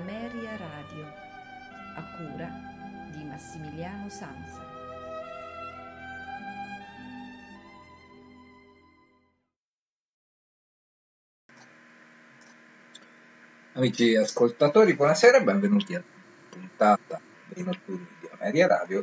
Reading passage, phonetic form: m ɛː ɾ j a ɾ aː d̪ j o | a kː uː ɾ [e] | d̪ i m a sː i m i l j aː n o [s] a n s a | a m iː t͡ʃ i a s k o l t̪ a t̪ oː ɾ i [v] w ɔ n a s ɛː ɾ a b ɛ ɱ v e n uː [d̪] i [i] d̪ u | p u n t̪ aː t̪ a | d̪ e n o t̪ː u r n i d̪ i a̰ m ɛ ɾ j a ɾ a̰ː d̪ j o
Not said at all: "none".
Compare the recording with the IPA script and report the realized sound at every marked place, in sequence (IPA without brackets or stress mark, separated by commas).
a, s, b, t̪, a